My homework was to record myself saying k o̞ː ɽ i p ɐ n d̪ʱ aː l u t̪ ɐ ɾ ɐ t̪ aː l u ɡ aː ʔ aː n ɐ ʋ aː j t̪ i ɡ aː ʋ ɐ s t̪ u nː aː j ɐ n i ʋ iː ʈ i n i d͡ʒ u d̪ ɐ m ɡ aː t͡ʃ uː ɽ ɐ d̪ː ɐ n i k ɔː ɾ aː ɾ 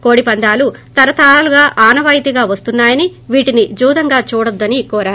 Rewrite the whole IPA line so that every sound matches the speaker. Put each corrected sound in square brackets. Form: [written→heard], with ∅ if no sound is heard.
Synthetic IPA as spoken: k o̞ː ɽ i p ɐ n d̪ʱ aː l u t̪ ɐ ɾ ɐ t̪ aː l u ɡ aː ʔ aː n ɐ ʋ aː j t̪ i ɡ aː ʋ ɐ s t̪ u nː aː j ɐ n i ʋ iː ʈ i n i d͡ʒ [u→uː] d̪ ɐ [m→ŋ] ɡ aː t͡ʃ uː ɽ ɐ d̪ː ɐ n i k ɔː ɾ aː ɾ